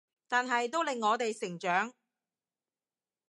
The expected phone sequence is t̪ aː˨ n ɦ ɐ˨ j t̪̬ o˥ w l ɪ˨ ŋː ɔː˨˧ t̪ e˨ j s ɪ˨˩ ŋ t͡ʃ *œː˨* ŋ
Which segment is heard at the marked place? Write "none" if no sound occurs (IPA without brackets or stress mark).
œː˨˥